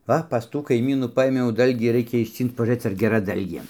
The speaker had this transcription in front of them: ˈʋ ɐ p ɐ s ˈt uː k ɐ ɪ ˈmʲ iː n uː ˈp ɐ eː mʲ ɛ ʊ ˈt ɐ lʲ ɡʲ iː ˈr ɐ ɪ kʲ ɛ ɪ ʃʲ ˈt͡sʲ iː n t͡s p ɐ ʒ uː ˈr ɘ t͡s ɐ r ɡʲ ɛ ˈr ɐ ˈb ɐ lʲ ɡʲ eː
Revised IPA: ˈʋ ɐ p ɐ s ˈt uː k ɐ ɪ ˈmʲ iː n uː ˈp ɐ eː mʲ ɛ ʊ ˈd ɐ lʲ ɡʲ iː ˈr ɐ ɪ kʲ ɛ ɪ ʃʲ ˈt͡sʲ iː n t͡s p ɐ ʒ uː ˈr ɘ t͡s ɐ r ɡʲ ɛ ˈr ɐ ˈd ɐ lʲ ɡʲ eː

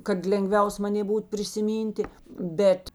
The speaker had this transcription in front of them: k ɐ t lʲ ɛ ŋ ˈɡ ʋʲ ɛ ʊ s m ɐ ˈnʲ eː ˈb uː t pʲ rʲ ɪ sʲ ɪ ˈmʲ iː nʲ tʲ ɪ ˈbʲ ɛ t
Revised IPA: k ɐ t lʲ ɛ ŋ ˈɡ ʋʲ ɛ ʊ s m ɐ ˈnʲ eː ˈb uː t pʲ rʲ ɪ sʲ ɪ ˈmʲ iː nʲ tʲ ɪ ˈbʲ ɛ t

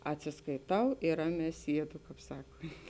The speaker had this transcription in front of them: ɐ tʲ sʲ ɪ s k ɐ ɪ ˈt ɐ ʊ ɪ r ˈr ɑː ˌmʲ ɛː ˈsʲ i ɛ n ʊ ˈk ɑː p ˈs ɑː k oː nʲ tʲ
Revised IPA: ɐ tʲ sʲ ɪ s k ɐ ɪ ˈt ɐ ʊ ɪ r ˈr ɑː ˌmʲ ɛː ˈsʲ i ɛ d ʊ ˈk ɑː p ˈs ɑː k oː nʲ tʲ

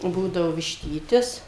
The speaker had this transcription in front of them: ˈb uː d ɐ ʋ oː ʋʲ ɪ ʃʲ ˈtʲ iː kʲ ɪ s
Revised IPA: ˈb uː d ɐ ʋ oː ʋʲ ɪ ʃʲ ˈtʲ iː tʲ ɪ s

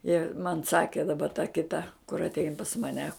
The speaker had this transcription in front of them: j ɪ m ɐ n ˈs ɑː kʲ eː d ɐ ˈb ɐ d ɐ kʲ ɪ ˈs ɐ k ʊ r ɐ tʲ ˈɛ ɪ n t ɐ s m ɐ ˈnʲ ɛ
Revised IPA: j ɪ m ɐ n ˈs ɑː kʲ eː d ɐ ˈb ɐ t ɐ kʲ ɪ ˈt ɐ k ʊ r ɐ tʲ ˈɛ ɪ n p ɐ s m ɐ ˈnʲ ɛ

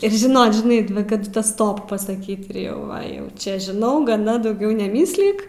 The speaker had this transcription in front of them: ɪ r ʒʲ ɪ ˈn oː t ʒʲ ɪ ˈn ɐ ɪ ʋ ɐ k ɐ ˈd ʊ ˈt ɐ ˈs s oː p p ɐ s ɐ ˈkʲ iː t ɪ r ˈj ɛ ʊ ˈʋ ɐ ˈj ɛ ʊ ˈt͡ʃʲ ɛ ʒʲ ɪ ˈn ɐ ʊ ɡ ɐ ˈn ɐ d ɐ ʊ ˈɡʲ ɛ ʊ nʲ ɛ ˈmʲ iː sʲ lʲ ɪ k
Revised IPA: ɪ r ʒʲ ɪ ˈn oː t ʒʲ ɪ ˈn ɐ ɪ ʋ ɐ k ɐ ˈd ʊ ˈt ɐ ˈs t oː p p ɐ s ɐ ˈkʲ iː t ɪ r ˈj ɛ ʊ ˈʋ ɐ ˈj ɛ ʊ ˈt͡ʃʲ ɛ ʒʲ ɪ ˈn ɐ ʊ ɡ ɐ ˈn ɐ d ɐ ʊ ˈɡʲ ɛ ʊ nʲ ɛ ˈmʲ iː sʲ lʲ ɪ k

